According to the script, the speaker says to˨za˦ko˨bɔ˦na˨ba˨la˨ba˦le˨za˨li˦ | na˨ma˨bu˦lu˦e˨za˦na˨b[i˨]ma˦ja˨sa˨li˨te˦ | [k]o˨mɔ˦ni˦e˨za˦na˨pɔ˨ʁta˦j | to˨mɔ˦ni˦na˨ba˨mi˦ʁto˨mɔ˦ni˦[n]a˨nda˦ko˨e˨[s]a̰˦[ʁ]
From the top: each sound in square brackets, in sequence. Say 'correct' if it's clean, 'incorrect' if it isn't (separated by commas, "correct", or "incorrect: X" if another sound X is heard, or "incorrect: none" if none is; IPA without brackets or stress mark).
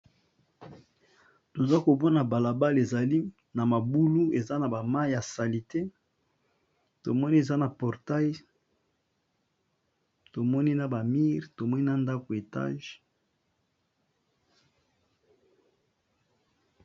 incorrect: a˨, incorrect: t, correct, incorrect: t, incorrect: ʒ